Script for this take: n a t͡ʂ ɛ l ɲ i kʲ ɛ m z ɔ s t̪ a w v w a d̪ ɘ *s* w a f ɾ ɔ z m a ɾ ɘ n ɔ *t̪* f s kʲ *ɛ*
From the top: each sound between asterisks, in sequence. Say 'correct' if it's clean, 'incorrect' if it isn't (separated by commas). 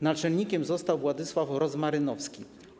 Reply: correct, incorrect, incorrect